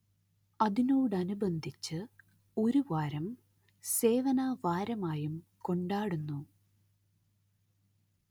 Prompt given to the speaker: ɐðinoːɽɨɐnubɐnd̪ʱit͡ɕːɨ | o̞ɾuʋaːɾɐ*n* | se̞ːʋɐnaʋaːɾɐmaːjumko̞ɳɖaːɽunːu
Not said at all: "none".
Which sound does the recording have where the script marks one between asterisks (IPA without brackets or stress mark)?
m